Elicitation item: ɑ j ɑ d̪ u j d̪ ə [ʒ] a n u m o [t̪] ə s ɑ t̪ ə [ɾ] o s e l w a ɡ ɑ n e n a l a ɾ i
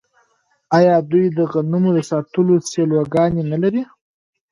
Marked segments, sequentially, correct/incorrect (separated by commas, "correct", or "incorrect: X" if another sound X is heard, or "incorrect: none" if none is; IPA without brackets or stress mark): incorrect: ɣ, incorrect: d̪, incorrect: l